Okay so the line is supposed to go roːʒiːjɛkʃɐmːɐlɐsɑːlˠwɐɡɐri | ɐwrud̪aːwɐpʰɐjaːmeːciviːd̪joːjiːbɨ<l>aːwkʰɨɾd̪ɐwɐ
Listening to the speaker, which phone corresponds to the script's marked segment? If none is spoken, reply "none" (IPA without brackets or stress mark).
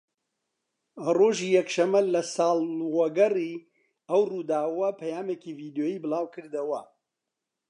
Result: l